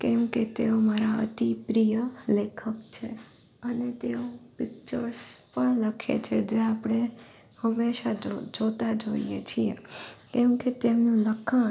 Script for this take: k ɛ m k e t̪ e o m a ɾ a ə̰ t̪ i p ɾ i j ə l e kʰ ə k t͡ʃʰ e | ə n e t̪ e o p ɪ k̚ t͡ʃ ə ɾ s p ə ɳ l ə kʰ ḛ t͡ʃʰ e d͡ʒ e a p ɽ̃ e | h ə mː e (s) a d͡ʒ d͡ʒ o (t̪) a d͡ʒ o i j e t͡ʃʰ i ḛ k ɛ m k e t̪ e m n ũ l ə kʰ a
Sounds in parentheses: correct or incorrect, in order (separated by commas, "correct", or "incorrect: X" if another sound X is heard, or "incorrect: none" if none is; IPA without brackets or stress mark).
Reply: incorrect: ʃ, correct